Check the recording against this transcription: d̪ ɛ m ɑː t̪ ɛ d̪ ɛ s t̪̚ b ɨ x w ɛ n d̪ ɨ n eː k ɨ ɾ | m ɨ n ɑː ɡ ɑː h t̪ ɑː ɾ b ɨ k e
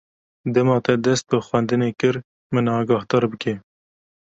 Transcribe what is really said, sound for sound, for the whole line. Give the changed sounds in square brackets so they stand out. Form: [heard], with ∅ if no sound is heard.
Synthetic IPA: d̪ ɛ m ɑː t̪ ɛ d̪ ɛ s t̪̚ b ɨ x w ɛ n d̪ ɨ n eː k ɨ ɾ | m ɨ n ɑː ɡ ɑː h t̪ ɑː ɾ b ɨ k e